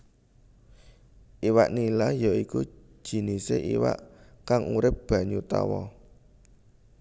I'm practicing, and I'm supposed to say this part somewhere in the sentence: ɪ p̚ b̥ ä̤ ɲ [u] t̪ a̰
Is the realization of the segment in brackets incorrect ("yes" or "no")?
no